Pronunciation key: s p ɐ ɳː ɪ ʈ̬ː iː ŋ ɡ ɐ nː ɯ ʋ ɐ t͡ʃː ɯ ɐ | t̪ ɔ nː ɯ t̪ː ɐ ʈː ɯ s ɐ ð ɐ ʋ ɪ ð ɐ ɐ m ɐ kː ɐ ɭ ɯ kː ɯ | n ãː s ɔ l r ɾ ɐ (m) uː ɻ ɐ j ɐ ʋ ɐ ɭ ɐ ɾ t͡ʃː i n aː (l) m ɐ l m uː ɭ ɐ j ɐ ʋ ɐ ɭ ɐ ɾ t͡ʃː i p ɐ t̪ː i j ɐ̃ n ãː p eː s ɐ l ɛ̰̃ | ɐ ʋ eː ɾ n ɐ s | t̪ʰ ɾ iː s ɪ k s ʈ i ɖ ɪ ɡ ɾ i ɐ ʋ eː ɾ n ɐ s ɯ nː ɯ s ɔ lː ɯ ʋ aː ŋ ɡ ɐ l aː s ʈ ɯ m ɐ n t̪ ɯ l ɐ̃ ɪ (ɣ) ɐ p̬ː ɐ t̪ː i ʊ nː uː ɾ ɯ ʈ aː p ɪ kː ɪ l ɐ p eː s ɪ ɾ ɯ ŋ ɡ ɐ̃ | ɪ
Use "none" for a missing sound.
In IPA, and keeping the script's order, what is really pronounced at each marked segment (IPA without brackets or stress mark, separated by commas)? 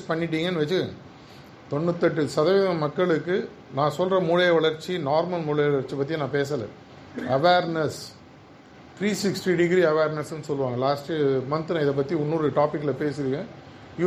m, ɾ, ð